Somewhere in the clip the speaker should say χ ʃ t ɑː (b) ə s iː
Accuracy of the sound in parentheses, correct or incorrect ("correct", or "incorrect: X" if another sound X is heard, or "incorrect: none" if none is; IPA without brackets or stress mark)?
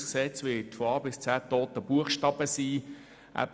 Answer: correct